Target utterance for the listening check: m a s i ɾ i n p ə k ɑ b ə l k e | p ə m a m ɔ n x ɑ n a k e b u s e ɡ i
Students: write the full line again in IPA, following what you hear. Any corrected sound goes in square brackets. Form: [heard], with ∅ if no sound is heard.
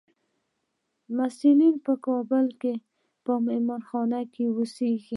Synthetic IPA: m a s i [l] i n p ə k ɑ b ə l k e | p ə m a m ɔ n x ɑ n a k e [w] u s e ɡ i